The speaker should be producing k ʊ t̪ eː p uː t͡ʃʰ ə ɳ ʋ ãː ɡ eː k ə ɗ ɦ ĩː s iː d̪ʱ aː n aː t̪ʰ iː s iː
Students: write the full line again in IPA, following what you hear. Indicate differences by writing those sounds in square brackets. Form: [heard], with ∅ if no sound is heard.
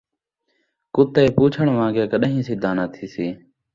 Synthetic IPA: k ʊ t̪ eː p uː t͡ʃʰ ə ɳ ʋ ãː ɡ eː k ə ɗ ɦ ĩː s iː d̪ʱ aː n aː t̪ʰ iː s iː